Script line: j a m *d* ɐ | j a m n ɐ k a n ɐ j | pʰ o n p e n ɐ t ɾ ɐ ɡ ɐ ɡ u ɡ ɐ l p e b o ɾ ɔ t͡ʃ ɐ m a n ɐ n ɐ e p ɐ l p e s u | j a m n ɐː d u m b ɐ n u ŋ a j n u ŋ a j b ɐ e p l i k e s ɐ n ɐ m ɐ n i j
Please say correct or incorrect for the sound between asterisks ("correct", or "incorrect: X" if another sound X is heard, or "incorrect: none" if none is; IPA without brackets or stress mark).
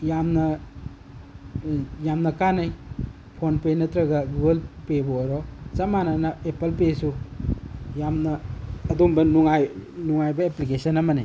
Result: incorrect: n